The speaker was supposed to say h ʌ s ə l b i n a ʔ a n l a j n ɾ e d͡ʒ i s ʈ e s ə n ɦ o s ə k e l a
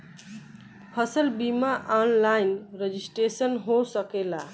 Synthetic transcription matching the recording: h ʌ s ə l b i m a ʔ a n l a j n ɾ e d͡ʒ i s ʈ e s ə n ɦ o s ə k e l a